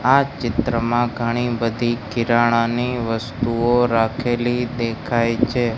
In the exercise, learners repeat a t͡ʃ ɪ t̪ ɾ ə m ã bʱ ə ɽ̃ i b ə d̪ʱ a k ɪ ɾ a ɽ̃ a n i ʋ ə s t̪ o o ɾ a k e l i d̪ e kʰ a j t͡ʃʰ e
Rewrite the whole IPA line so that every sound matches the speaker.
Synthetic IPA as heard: a t͡ʃ ɪ t̪ ɾ ə m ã ɡʱ ə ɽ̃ i b ə d̪ʱ i k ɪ ɾ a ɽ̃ a n i ʋ ə s t̪ u o ɾ a kʰ e l i d̪ e kʰ a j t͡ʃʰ e

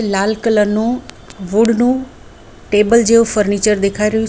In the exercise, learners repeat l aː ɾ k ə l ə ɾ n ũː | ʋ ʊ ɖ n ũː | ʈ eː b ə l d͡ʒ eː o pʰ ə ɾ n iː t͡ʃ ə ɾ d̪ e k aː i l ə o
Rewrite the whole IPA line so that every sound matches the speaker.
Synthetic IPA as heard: l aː l k ə l ə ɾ n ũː | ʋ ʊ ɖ n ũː | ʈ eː b ə l d͡ʒ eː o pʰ ə ɾ n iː t͡ʃ ə ɾ d̪ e kʰ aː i ɾ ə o

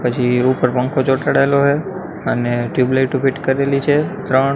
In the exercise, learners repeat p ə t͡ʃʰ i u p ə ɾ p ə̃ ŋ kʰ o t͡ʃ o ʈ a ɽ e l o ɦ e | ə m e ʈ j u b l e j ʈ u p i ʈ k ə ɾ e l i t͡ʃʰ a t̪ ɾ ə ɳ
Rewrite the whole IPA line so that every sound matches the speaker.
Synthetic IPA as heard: p ə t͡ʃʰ i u p ə ɾ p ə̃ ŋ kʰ o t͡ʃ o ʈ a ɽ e l o ɦ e | ə n e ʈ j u b l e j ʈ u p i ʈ k ə ɾ e l i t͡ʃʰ e t̪ ɾ ə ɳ

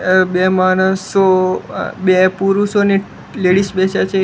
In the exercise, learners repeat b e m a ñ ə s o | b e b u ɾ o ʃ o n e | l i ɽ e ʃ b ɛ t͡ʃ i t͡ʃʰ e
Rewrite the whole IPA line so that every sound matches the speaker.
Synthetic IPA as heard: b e m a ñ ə s o | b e p u ɾ u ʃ o n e | l e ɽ i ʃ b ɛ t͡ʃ a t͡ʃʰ e

